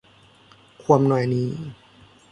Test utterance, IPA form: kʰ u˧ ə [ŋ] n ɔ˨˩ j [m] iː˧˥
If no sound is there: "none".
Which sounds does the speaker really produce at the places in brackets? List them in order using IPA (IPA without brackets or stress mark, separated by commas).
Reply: m, n